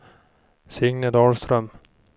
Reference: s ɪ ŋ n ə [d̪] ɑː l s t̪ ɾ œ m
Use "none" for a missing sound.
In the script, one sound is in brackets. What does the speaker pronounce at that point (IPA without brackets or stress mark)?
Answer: d̪